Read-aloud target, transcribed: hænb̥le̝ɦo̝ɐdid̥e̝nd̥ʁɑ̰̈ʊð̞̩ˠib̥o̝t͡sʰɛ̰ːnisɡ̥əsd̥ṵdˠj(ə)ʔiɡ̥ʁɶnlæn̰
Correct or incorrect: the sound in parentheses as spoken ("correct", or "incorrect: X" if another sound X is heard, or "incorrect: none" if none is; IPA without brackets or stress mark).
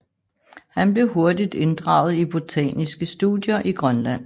incorrect: ɐ